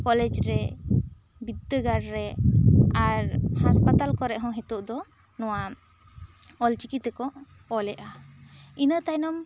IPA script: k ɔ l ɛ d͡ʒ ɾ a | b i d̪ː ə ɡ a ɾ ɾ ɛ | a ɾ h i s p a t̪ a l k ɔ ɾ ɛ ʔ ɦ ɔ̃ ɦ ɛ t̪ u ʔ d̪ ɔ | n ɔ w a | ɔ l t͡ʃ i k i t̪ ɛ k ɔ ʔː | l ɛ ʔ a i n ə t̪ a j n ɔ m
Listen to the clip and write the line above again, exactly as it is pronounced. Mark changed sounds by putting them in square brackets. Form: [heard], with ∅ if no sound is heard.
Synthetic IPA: k ɔ l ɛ d͡ʒ ɾ [ɛ] | b i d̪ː ə ɡ a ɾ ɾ ɛ | a ɾ h [a] s p a t̪ a l k ɔ ɾ ɛ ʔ ɦ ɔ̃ ɦ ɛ t̪ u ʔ d̪ ɔ | n ɔ w a | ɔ l t͡ʃ i k i t̪ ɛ k ɔ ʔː | l ɛ ʔ a i n ə t̪ a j n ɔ m